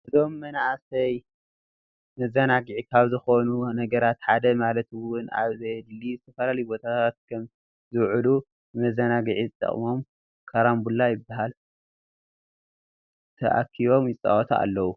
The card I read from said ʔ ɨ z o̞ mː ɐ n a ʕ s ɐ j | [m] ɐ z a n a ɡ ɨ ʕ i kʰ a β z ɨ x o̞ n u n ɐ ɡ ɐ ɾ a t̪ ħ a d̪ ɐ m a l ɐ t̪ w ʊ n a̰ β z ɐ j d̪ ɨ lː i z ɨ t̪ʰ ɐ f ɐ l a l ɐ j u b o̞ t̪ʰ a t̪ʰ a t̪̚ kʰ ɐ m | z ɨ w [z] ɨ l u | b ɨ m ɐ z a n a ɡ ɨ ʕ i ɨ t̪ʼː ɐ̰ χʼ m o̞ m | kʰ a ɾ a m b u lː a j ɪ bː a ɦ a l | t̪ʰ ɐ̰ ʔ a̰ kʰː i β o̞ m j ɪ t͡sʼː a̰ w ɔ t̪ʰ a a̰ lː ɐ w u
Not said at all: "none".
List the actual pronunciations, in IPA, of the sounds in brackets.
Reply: m, ʕ

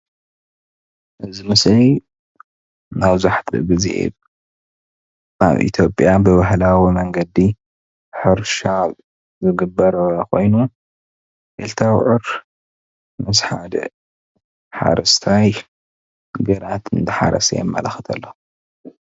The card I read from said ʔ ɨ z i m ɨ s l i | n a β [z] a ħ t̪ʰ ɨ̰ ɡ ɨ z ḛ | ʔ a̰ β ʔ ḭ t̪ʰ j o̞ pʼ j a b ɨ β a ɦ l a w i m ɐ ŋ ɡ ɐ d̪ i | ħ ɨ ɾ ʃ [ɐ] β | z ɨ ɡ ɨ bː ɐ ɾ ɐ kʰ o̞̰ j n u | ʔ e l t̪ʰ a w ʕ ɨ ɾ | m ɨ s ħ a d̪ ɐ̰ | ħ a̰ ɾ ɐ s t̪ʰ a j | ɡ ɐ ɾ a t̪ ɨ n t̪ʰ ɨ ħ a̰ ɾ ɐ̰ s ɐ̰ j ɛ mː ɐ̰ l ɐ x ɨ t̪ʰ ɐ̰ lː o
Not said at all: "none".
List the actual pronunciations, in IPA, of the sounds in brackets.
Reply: z, a

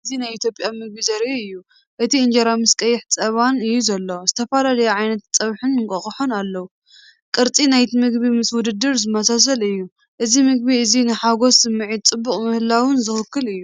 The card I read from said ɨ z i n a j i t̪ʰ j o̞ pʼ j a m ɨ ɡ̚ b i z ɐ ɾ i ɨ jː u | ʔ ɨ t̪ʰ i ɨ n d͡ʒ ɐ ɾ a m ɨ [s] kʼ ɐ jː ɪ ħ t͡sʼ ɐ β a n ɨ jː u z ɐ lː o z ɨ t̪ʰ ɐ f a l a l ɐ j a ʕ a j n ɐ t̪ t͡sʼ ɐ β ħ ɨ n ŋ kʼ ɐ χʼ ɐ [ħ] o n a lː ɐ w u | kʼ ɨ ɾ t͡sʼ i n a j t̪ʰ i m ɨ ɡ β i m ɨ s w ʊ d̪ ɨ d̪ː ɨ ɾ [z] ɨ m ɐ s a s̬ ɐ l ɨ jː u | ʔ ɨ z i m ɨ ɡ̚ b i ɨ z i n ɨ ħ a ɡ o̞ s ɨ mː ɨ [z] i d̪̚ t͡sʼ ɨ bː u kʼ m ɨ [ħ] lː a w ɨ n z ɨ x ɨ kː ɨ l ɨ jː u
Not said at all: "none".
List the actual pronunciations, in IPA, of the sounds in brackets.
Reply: s, ħ, z, ʕ, h

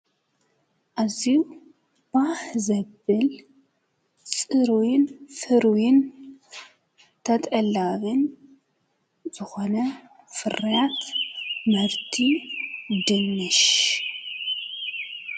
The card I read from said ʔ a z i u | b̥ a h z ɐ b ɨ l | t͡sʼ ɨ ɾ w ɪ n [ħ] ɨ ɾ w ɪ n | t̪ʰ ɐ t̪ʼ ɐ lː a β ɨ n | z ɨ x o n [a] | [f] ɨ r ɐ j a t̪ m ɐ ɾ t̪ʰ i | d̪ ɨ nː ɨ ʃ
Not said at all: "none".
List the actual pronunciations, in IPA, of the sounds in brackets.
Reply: f, ɐ, f

